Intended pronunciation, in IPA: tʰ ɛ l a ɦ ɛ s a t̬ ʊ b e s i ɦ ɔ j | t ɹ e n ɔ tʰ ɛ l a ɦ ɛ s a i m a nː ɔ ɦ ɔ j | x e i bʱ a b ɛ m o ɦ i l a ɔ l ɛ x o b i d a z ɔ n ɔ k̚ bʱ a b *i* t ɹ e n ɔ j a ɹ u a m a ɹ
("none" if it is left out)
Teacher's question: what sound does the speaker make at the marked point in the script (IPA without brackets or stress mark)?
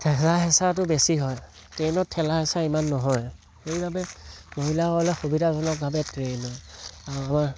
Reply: ɛ